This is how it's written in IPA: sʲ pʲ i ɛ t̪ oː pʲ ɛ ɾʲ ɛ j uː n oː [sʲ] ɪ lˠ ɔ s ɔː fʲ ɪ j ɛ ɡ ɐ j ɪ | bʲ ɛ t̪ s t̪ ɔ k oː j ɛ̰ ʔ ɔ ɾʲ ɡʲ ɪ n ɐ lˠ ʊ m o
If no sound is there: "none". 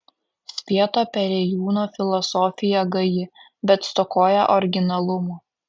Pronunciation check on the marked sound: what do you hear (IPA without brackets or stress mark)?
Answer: fʲ